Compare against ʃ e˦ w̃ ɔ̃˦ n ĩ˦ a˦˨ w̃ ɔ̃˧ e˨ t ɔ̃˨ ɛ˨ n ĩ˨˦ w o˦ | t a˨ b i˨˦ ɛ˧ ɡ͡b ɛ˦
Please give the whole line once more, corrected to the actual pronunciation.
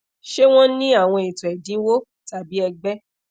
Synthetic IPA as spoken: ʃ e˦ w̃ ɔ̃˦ n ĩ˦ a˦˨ w̃ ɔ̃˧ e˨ t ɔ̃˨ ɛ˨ d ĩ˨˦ w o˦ | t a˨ b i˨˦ ɛ˧ ɡ͡b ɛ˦

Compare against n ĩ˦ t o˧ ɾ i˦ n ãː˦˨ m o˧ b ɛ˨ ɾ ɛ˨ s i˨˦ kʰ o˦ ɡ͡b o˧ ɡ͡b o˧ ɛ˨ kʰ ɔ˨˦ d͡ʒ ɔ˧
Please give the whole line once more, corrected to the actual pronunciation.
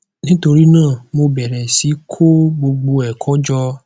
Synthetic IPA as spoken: n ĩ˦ t o˧ ɾ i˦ n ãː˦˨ m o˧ b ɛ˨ ɾ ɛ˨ s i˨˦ kʰ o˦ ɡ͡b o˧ ɡ͡b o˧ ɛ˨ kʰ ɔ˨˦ d͡ʒ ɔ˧

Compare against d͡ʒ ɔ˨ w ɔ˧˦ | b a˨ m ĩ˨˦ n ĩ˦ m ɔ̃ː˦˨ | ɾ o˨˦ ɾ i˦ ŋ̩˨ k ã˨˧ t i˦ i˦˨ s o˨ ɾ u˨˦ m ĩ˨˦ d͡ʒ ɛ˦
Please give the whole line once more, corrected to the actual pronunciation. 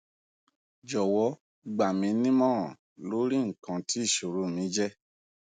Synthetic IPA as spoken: d͡ʒ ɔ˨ w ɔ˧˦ | ɡ͡b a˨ m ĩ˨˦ n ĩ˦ m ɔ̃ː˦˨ | l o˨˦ ɾ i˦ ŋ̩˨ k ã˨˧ t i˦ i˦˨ ʃ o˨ ɾ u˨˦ m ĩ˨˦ d͡ʒ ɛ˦

